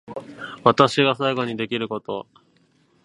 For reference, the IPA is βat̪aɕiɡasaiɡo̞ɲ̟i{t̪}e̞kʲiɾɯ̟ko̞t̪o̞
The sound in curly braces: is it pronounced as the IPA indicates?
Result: no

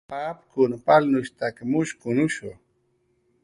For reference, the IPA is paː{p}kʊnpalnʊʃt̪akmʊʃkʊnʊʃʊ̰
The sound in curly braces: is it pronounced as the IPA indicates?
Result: yes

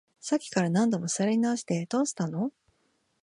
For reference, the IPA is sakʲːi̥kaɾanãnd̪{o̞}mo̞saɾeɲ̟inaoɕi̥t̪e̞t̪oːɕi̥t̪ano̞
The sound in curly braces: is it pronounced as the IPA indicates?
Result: yes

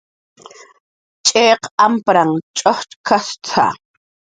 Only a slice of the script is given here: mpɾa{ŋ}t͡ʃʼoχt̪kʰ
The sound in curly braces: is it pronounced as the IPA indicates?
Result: yes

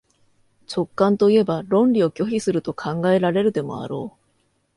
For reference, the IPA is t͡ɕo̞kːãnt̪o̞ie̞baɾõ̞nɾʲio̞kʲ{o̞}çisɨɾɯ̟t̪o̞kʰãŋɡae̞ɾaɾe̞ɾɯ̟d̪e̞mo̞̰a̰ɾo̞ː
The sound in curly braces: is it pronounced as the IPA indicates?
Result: yes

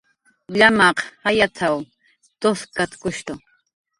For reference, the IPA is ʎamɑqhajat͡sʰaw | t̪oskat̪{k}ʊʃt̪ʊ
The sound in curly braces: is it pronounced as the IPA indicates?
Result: yes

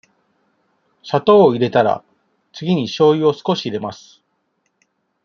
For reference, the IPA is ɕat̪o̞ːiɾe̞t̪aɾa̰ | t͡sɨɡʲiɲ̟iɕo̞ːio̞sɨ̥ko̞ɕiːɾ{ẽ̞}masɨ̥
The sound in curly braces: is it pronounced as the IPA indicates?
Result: no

